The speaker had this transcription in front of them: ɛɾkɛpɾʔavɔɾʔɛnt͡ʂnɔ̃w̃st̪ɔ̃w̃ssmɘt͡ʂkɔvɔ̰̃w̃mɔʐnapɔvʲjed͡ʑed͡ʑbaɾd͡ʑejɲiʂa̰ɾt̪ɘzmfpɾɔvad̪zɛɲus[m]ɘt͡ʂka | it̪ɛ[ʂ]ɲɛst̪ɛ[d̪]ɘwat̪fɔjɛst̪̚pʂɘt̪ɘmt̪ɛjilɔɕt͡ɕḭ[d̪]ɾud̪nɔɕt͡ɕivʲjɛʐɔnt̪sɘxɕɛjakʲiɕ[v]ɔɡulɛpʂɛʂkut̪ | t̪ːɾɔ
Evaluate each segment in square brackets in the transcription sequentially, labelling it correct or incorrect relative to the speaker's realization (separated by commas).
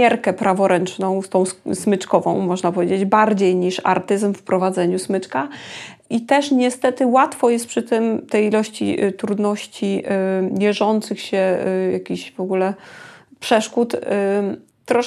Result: correct, correct, incorrect, incorrect, correct